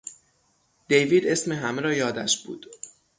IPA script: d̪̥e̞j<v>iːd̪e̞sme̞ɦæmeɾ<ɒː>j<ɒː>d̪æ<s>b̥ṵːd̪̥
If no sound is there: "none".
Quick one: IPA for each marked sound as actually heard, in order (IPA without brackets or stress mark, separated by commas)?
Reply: v, ɒː, ɒː, ʃ